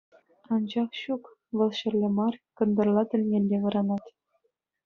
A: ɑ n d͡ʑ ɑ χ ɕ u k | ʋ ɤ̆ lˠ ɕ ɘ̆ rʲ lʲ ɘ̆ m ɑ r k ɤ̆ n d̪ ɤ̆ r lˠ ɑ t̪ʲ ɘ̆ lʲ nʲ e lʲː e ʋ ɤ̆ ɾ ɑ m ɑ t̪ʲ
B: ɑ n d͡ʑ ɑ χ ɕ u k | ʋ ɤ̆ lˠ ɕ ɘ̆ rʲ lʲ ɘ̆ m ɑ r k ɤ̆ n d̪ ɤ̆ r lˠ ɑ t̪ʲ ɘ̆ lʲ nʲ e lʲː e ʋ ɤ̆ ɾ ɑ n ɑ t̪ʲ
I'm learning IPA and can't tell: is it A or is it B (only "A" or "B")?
B